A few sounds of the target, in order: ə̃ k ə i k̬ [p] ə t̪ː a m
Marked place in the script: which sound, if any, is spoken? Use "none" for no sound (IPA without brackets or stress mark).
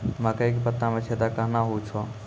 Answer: p